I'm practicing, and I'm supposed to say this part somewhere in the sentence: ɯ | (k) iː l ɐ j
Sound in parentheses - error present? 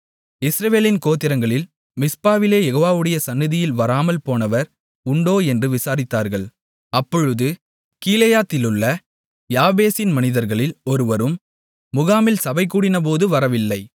no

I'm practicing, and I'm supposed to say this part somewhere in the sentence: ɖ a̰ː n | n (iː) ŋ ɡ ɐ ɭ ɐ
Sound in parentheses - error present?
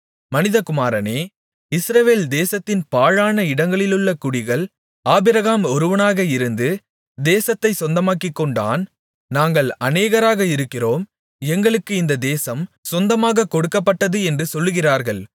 yes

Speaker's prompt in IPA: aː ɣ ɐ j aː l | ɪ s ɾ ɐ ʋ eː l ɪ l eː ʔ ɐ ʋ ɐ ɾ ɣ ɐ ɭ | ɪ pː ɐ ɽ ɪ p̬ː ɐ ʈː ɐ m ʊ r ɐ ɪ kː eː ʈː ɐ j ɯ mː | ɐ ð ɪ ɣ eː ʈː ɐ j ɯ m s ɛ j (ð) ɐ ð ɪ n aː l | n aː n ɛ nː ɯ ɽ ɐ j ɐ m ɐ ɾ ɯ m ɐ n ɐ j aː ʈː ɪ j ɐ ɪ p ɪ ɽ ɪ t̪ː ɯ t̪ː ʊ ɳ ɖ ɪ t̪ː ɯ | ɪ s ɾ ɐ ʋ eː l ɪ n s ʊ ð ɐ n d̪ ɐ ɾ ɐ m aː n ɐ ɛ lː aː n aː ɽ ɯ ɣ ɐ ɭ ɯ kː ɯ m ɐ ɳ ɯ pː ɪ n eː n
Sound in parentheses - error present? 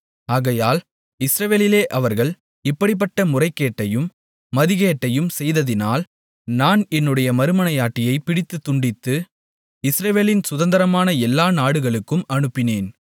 no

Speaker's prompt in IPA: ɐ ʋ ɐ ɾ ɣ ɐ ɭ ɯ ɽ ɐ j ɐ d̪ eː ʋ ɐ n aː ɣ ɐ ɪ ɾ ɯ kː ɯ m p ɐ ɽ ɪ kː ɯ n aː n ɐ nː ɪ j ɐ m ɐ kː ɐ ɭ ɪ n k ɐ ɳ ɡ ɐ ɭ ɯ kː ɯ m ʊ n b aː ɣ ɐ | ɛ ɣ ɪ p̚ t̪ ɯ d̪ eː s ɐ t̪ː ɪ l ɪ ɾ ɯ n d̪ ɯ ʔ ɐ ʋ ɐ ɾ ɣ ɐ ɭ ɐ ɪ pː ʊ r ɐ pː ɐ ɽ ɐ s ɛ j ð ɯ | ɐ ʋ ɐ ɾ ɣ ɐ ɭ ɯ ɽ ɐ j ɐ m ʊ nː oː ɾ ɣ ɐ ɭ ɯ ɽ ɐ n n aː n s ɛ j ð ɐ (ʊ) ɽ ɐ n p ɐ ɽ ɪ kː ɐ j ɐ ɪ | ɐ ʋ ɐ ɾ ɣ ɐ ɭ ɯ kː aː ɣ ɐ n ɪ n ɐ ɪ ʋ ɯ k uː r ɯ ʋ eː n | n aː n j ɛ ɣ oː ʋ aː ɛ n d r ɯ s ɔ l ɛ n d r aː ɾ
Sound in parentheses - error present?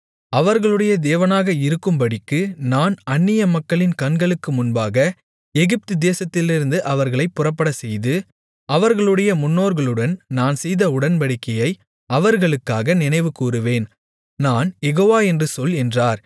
no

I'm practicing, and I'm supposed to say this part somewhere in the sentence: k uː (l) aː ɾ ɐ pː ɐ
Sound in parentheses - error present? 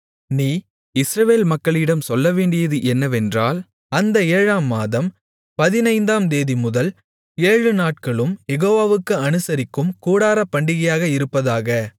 yes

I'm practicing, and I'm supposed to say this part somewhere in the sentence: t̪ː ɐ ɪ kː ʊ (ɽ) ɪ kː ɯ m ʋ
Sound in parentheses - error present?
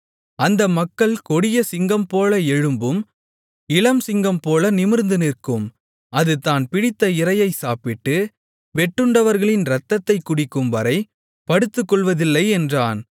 no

